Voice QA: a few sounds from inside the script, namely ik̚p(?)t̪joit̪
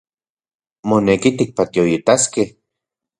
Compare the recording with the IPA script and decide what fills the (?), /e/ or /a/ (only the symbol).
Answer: a